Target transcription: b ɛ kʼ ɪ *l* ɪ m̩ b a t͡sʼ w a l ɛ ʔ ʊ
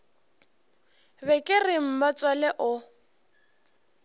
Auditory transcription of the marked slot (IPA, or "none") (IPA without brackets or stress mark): r